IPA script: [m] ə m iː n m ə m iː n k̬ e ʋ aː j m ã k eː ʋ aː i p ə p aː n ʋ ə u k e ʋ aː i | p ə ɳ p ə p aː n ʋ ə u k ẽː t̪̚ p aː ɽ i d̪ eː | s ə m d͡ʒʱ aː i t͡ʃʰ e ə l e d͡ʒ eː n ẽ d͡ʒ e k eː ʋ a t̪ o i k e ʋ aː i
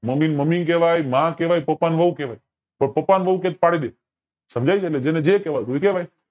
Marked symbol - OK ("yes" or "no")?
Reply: yes